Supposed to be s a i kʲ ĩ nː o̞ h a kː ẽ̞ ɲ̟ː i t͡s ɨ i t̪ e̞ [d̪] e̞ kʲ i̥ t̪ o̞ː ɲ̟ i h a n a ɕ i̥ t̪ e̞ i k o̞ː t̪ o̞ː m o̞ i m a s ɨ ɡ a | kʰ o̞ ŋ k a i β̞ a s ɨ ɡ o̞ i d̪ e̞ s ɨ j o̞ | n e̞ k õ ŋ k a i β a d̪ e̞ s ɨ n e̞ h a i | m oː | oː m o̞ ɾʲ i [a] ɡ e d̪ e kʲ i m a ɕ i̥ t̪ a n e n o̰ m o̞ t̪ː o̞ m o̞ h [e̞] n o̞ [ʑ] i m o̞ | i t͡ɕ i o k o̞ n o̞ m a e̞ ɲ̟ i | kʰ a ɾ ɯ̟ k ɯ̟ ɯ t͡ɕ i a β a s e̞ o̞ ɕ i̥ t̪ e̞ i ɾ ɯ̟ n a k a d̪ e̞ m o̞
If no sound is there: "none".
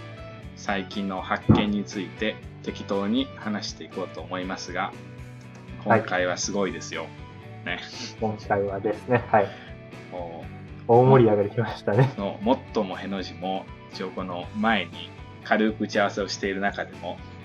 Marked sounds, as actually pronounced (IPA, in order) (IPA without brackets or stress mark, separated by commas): t̪, a, e̞, ʑ